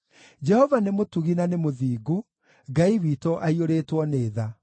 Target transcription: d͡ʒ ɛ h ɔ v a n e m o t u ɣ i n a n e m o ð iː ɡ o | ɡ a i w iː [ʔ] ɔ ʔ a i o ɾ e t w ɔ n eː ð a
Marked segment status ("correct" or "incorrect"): incorrect